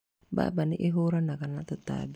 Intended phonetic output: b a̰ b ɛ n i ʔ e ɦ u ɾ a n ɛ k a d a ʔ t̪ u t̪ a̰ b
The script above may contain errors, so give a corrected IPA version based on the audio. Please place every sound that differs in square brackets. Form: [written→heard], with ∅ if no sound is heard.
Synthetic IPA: b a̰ b [ɛ→a] n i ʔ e ɦ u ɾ a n [ɛ→a] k a [d→n] a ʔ t̪ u t̪ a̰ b